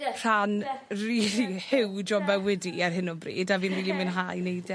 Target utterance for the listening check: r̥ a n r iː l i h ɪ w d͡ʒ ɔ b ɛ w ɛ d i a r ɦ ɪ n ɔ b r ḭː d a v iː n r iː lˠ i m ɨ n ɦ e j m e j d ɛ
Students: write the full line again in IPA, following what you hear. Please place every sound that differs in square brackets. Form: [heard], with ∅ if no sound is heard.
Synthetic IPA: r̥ a n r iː l i h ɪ w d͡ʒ ɔ b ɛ w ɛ d i a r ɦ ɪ n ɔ b r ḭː d a v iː n r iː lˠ i m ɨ n ɦ [a] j [n] e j d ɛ